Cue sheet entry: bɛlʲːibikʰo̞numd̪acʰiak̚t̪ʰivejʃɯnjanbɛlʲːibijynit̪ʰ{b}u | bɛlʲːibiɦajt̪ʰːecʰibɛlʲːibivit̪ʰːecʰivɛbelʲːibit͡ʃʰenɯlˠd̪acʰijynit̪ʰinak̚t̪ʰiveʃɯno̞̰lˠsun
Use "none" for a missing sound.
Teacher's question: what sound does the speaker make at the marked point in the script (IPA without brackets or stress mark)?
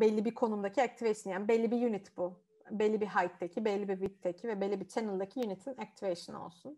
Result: b